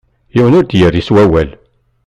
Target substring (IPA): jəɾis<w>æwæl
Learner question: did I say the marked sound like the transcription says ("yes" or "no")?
yes